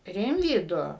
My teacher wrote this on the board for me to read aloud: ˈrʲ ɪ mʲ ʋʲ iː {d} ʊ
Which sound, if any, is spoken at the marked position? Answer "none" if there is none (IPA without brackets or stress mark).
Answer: d